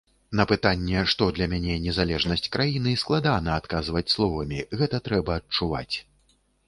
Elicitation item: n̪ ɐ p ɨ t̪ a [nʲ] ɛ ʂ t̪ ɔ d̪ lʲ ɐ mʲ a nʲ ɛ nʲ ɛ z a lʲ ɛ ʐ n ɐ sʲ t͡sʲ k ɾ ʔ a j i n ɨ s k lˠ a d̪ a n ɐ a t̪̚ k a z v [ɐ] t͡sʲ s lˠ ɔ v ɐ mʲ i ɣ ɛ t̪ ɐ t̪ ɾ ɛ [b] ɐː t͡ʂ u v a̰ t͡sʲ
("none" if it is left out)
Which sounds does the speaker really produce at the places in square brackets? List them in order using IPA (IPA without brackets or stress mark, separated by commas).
nʲː, ɐ, b